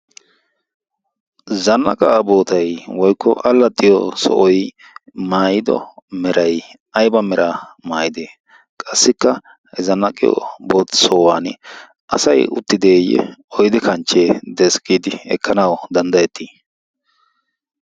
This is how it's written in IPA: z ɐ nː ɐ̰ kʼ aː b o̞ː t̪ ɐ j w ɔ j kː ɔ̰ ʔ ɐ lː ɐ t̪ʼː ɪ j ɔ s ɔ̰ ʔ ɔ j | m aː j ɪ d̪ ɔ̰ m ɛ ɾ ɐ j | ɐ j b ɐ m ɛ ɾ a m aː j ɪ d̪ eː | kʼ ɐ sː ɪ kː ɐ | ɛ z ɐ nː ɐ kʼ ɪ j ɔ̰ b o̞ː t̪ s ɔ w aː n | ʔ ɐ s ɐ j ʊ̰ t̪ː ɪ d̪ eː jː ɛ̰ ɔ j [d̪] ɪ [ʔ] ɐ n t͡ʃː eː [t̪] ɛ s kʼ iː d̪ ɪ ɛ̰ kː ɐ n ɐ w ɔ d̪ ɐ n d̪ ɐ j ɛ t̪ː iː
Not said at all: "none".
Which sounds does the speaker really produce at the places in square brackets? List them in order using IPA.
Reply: d̪, k, d̪

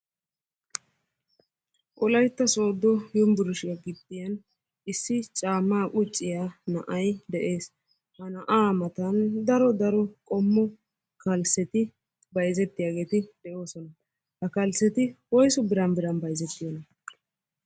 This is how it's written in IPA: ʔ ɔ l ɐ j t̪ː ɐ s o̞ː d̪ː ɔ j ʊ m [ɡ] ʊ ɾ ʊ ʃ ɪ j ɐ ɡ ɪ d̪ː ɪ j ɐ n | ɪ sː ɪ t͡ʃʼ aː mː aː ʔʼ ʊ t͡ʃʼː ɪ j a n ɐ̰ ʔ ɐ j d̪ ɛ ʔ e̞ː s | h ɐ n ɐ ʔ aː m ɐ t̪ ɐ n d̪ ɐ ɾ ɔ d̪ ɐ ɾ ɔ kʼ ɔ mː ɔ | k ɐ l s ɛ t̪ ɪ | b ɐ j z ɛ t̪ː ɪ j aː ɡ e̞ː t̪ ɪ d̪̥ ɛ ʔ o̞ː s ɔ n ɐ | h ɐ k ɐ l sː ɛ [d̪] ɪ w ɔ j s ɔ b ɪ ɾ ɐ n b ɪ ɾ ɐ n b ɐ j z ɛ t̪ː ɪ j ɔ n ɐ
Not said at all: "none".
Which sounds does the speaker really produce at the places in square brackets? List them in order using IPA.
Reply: b, t̪

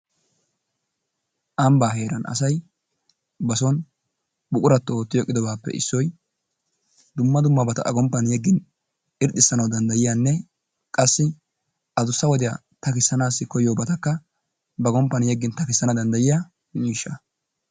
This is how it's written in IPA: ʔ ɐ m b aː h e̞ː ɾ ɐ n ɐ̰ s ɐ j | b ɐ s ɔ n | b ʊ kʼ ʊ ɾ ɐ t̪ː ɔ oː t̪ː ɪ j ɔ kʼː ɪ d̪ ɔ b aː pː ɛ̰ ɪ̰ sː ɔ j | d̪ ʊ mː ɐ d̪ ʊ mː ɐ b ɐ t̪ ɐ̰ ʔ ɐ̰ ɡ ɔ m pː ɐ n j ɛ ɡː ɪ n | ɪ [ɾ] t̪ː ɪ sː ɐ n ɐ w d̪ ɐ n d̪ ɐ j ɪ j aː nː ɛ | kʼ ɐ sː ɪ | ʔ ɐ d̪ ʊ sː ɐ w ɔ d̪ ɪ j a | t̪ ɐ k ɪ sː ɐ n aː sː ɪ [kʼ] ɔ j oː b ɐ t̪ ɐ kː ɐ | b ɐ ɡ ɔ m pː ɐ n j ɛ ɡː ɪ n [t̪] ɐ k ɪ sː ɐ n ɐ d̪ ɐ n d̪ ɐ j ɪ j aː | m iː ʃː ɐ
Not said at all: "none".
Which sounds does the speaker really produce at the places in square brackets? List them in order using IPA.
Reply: ɾ, k, t̪

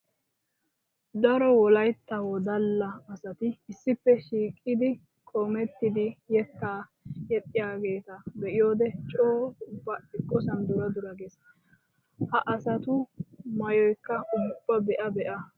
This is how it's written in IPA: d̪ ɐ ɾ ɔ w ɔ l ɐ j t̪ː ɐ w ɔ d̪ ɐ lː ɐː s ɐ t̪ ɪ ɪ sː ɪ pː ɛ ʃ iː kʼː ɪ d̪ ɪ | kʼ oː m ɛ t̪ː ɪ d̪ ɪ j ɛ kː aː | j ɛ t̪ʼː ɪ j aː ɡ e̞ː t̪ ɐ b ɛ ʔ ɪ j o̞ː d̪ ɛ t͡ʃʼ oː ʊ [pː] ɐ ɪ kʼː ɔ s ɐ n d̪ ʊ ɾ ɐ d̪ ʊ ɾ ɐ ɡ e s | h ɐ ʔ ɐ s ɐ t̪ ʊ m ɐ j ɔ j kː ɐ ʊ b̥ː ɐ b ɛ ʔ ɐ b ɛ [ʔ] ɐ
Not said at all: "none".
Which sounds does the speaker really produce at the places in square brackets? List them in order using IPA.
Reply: bː, ʔ

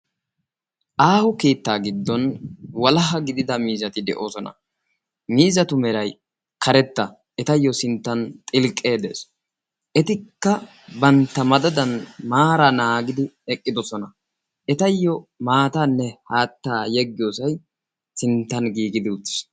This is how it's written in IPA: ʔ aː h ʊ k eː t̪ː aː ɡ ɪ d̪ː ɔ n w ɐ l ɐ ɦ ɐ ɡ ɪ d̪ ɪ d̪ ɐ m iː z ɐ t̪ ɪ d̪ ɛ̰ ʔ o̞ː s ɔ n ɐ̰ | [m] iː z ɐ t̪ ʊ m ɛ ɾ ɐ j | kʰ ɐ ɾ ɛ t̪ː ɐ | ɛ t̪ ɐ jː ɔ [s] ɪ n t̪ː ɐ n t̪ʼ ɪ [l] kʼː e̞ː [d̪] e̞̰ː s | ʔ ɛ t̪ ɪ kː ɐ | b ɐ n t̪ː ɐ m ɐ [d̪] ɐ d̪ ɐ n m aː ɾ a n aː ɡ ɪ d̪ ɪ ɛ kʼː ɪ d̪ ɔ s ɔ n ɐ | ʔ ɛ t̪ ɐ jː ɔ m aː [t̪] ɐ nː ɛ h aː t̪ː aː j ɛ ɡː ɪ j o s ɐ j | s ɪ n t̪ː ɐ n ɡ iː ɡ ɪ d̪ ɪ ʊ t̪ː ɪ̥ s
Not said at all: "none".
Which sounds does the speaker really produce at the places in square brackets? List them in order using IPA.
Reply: m, s, l, d̪, d̪, t̪

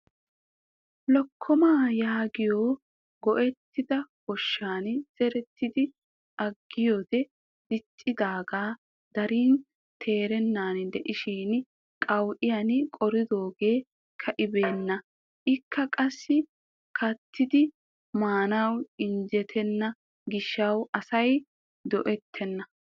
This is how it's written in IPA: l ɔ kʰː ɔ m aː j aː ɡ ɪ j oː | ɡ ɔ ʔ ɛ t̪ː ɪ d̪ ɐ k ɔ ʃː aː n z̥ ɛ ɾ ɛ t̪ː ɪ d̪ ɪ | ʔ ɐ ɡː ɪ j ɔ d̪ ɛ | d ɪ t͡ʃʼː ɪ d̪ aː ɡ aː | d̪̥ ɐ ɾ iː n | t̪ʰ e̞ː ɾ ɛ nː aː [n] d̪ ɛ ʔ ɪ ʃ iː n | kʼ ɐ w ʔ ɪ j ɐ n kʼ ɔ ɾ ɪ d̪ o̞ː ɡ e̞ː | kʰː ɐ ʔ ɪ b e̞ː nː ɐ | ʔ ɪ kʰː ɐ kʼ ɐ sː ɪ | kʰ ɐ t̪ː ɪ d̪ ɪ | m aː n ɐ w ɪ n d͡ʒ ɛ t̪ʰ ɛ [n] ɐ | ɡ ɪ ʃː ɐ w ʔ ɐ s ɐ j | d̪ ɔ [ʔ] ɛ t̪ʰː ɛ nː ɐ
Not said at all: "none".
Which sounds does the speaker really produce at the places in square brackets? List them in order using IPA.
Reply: n, nː, ʔ

